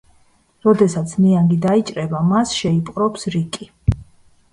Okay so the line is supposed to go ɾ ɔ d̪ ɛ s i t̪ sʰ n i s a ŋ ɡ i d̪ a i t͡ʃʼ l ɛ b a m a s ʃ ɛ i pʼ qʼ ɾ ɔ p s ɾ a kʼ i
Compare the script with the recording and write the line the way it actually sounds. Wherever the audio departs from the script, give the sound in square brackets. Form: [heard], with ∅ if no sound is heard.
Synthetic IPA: ɾ ɔ d̪ ɛ s [a] t̪ sʰ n i [∅] a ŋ ɡ i d̪ a i t͡ʃʼ [ɾ] ɛ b a m a s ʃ ɛ i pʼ qʼ ɾ ɔ p s ɾ [i] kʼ i